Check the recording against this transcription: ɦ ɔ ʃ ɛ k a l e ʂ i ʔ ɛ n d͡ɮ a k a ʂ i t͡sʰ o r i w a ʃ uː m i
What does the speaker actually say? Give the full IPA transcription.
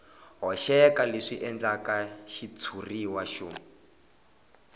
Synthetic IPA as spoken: ɦ ɔ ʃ ɛ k a l e ʂ i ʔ ɛ n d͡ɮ a k a ʃ i t͡sʰ u r i w a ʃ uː m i